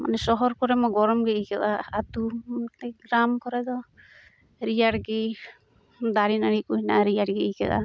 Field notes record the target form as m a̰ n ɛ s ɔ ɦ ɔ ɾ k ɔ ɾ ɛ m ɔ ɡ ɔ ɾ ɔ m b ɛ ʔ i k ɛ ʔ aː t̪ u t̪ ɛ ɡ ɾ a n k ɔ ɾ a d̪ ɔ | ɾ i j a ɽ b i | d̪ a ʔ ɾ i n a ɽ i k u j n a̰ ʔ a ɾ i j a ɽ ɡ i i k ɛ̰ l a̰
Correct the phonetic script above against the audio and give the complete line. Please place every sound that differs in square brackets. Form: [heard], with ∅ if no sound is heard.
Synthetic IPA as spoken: m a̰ n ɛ s ɔ ɦ ɔ ɾ k ɔ ɾ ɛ m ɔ ɡ ɔ ɾ ɔ m [ɡ] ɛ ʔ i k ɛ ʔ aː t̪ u t̪ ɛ ɡ ɾ a [m] k ɔ ɾ [ɛ] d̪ ɔ | ɾ i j a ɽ [ɡ] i | d̪ a [∅] ɾ i n a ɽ i k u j n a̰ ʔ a ɾ i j a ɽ ɡ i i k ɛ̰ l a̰